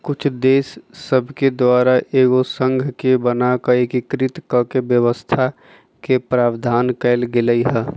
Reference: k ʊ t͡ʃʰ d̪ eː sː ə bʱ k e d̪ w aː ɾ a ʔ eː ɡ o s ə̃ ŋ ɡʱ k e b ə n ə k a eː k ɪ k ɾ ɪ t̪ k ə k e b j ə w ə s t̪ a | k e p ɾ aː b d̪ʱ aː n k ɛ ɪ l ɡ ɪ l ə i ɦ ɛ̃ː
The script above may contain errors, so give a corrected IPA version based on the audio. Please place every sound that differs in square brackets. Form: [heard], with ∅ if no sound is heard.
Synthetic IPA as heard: k ʊ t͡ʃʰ d̪ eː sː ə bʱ k e d̪ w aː ɾ a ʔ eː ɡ o s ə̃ ŋ ɡʱ k e b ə n [a] k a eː k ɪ k ɾ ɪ t̪ k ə k e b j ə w ə s [t̪ʰ] a | k e p ɾ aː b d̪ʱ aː n k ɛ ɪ l ɡ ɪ l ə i ɦ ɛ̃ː